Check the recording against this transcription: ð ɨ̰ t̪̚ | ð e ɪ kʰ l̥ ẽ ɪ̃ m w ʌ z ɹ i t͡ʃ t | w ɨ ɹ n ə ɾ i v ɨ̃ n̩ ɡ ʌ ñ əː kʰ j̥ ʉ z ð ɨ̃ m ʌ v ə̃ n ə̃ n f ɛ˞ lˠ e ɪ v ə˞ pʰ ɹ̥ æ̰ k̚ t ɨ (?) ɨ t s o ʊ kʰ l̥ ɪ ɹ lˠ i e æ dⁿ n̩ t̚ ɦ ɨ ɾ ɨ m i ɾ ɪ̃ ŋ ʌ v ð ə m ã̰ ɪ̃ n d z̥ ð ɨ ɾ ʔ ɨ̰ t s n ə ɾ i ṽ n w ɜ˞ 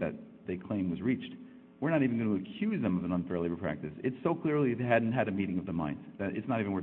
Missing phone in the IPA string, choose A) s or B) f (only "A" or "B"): A